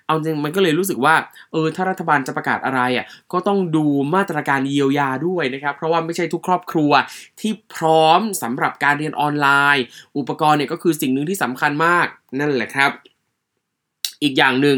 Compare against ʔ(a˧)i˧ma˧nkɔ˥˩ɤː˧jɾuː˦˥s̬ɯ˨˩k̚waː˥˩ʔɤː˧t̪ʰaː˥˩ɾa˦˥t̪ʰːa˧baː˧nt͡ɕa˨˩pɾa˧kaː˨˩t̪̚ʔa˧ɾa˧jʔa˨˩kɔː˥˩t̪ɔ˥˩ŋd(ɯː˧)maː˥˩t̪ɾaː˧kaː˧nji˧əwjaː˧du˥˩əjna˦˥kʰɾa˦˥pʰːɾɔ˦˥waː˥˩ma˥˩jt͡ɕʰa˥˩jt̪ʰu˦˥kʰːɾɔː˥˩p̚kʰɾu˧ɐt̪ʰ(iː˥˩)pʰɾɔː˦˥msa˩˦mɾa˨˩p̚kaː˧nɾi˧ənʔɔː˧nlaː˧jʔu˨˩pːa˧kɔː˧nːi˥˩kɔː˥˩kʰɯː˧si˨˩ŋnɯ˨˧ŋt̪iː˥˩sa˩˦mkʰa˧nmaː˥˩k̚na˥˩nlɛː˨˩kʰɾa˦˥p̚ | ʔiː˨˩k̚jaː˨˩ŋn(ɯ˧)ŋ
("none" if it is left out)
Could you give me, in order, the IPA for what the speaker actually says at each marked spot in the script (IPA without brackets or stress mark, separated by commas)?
a˧, uː˧, iː˥˩, ɯ˨˩